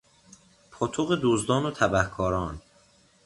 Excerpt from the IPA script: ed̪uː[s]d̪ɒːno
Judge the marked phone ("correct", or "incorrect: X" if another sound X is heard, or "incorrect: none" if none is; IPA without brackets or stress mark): incorrect: z